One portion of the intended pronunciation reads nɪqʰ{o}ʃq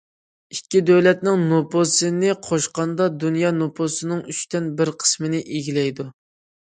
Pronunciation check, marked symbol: correct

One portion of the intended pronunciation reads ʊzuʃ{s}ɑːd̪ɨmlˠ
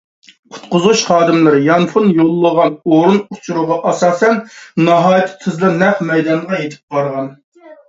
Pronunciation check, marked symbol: incorrect: χ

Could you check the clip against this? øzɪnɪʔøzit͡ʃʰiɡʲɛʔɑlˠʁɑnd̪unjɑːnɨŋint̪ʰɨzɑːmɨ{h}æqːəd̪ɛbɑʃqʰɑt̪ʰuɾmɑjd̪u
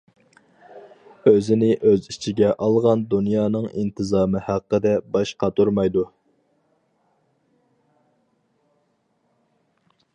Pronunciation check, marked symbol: correct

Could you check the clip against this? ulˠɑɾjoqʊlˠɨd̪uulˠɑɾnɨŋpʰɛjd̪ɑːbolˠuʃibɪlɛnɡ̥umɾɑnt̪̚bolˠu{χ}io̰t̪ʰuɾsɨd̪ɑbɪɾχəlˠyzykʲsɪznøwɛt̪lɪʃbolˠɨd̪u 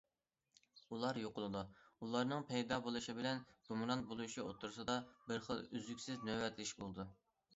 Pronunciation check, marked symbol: incorrect: ʃ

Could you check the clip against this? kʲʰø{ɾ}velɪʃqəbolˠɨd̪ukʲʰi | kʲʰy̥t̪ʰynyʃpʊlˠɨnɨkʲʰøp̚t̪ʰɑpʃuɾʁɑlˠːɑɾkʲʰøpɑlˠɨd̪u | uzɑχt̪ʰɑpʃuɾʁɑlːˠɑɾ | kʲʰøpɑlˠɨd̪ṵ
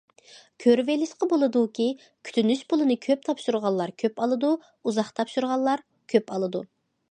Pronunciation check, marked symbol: correct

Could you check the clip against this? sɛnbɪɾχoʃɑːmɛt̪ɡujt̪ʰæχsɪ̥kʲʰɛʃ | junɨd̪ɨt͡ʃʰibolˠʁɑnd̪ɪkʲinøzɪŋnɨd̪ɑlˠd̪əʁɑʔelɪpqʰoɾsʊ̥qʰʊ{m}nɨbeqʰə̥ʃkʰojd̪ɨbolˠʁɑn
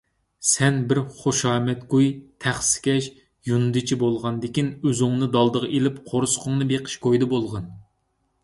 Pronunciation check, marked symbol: incorrect: ŋ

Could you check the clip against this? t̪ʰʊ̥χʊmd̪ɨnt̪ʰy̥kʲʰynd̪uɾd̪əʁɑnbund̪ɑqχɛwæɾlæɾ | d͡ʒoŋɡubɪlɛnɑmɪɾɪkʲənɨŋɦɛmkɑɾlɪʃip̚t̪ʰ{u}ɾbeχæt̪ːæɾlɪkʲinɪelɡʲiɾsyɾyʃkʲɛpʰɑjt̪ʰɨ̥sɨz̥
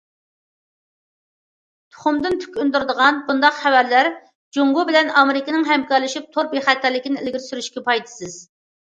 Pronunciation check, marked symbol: incorrect: o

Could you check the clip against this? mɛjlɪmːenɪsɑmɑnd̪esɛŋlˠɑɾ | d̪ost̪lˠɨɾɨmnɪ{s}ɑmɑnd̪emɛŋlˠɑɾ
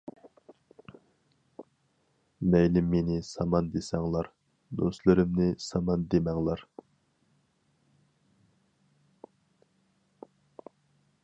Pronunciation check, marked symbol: correct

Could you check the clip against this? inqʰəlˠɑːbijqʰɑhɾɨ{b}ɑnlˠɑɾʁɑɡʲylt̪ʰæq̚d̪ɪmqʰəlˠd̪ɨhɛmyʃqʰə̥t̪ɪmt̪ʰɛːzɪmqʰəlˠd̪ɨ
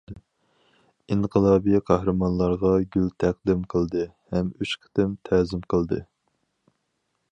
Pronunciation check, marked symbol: incorrect: m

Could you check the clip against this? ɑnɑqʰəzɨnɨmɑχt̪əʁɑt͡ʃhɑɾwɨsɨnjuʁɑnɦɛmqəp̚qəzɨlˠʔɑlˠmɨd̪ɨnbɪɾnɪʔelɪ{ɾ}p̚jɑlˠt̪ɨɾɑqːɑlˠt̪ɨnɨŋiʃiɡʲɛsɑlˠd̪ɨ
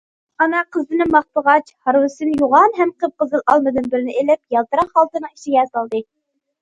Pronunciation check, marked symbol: incorrect: none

